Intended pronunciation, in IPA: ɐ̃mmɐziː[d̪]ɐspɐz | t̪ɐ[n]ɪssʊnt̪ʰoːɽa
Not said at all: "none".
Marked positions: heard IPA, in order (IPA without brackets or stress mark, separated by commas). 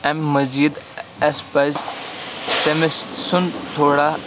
d̪, m